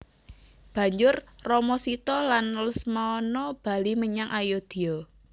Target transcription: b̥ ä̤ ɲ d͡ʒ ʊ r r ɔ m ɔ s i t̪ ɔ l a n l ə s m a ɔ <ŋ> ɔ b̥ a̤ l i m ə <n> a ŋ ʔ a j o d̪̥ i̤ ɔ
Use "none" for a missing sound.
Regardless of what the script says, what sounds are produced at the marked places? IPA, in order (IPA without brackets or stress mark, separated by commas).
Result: n, ɲ